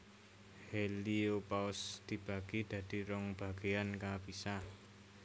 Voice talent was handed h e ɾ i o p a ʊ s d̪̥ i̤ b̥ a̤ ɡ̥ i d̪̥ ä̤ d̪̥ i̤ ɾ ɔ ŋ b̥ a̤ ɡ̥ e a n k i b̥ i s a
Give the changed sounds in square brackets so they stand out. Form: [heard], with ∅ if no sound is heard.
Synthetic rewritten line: h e [l] i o p a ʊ s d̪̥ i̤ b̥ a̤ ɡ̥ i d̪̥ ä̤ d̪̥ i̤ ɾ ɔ ŋ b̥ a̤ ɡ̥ e a n k [a] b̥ i s a